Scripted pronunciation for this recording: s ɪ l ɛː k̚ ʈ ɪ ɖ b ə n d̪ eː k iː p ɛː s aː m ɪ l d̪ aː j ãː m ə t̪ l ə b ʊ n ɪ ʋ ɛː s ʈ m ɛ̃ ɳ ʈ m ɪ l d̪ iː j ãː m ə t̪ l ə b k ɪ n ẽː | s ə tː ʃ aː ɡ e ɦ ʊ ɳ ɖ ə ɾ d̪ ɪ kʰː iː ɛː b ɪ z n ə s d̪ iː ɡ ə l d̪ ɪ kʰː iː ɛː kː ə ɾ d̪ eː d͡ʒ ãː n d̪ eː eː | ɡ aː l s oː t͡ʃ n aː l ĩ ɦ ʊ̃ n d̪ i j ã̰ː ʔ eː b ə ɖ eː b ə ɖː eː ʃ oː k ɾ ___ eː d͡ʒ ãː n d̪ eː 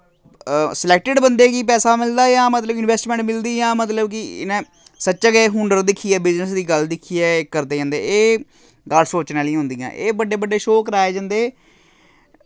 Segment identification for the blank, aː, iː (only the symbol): aː